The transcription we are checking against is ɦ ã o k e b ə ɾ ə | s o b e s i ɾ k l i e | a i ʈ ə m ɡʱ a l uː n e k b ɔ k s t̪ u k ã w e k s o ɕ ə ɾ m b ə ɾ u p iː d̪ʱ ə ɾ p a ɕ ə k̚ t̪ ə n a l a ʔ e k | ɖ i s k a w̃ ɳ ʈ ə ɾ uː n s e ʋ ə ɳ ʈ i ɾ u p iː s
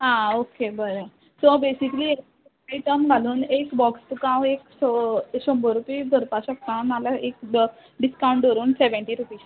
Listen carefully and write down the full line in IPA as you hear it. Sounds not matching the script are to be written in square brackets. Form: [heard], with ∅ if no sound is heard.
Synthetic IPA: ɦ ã o k e b ə ɾ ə | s o b e s i [∅] k l i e | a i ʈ ə m ɡʱ a l uː n e k b ɔ k s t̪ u k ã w e k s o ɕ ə [∅] m b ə ɾ u p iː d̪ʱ ə ɾ p a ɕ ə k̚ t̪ [a] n a l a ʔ e k | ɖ i s k a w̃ ɳ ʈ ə ɾ uː n s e ʋ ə ɳ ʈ i ɾ u p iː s

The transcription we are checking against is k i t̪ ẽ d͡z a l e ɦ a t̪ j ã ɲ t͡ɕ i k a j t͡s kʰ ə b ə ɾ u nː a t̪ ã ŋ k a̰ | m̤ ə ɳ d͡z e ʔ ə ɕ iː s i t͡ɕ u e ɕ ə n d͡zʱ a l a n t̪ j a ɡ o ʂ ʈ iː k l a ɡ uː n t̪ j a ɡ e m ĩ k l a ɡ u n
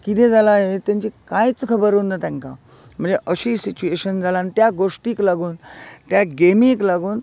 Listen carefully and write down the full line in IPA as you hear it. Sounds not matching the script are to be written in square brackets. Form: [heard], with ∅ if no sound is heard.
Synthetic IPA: k i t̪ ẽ d͡z a l [a] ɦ [e] t̪ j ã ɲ t͡ɕ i k a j t͡s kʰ ə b ə ɾ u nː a t̪ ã ŋ k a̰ | m̤ ə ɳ d͡z e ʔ ə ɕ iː s i t͡ɕ u e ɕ ə n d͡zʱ a l a n t̪ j a ɡ o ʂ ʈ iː k l a ɡ uː n t̪ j a ɡ e m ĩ k l a ɡ [uː] n

